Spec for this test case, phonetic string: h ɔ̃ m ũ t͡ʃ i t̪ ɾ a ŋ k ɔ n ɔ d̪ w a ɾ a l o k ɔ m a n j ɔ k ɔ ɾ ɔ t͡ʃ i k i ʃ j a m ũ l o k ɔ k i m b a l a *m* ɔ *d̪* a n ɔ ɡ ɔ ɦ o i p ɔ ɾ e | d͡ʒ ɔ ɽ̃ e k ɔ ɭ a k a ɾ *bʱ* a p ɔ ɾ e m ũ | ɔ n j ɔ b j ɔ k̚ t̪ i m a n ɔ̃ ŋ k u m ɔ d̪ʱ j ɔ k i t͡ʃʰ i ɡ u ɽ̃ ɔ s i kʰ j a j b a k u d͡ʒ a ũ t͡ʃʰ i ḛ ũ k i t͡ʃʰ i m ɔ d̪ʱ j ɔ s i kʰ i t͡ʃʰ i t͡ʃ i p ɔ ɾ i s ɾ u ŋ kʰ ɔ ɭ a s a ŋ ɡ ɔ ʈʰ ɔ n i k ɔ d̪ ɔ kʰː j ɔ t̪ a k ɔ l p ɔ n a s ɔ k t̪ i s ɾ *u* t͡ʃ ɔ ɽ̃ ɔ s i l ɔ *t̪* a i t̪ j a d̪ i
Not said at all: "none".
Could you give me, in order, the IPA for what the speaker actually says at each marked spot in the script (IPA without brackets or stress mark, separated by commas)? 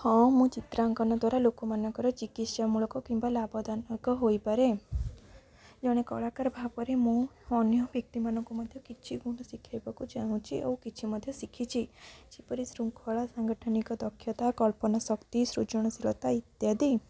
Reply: b, d̪, bʱ, u, t̪